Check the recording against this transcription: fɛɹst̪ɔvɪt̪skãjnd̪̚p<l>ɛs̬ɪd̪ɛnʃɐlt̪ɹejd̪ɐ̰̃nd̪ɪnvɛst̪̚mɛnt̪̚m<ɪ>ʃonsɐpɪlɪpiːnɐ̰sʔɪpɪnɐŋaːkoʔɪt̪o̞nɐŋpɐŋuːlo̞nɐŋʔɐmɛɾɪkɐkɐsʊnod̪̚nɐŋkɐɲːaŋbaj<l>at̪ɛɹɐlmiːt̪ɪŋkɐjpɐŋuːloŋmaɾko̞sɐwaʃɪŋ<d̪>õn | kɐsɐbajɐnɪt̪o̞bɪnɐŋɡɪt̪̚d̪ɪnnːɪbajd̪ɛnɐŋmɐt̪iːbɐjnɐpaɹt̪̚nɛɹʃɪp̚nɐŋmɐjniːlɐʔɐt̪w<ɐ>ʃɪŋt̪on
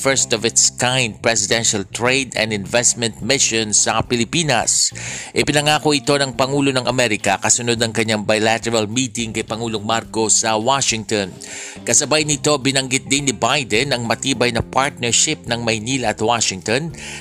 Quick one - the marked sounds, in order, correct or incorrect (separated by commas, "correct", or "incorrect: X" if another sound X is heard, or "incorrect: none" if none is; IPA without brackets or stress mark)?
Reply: incorrect: ɹ, correct, correct, incorrect: t̪, incorrect: a